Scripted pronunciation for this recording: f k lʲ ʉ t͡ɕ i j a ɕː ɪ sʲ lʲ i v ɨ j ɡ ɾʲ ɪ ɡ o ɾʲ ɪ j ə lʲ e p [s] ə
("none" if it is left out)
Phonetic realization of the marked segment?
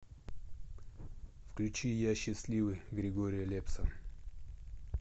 s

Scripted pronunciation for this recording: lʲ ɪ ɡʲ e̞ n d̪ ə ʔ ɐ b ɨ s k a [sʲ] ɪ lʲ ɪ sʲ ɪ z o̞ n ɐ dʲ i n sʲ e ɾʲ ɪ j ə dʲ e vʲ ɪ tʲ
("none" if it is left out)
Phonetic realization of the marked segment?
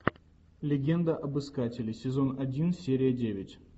tʲ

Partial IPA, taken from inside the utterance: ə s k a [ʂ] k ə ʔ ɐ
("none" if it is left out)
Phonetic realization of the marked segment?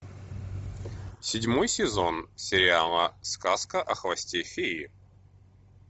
s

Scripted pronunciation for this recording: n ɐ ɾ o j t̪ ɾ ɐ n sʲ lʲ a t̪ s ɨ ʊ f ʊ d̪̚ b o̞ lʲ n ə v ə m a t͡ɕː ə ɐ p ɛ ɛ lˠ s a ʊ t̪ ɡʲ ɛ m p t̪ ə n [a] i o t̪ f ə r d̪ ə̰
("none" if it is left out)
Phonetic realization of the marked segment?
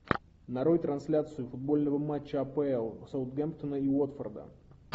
ə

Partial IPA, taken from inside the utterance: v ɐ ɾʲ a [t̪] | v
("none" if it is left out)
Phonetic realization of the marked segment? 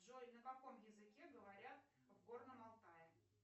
t̪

